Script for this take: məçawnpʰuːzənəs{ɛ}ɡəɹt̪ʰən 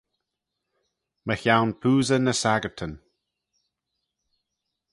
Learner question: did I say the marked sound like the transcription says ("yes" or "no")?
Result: no